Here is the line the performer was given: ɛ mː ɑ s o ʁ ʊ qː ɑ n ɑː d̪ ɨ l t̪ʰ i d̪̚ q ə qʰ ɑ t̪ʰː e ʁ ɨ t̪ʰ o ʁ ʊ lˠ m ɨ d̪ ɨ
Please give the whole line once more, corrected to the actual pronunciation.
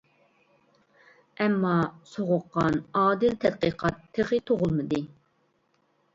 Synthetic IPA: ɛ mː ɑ s o ʁ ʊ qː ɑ n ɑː d̪ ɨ l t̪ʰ ɛ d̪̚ q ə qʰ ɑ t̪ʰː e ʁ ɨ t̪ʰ o ʁ ʊ lˠ m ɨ d̪ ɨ